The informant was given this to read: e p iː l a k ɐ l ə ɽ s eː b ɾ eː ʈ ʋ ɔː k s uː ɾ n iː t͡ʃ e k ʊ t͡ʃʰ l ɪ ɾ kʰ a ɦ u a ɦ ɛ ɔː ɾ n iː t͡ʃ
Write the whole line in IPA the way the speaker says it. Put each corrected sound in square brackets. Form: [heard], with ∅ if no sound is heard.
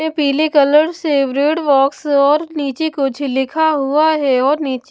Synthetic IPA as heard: e p iː l [e] k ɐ l ə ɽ s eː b ɾ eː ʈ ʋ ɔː k s [ɔː] ɾ n iː t͡ʃ e k ʊ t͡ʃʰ l ɪ [∅] kʰ a ɦ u a ɦ ɛ ɔː ɾ n iː t͡ʃ